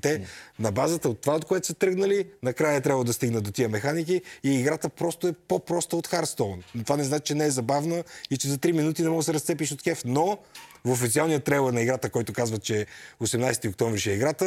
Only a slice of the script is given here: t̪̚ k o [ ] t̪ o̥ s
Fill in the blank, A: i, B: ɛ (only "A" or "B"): B